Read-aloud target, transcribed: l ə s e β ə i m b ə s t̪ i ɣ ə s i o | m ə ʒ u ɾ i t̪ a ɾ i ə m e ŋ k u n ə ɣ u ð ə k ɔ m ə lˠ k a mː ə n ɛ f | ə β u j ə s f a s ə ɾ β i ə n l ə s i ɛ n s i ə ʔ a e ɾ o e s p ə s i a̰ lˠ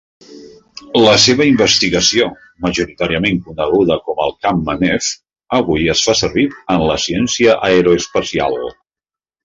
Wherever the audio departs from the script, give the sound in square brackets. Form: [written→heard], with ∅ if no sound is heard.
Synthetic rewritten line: l ə s e β ə i m b ə s t̪ i ɣ ə s i o | m ə ʒ u ɾ i t̪ a ɾ i ə m e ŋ k u n ə ɣ u ð ə k ɔ m ə lˠ k a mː ə n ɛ f | ə β u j ə s f a s ə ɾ β i ə n l ə s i ɛ n s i ə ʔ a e ɾ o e s p ə s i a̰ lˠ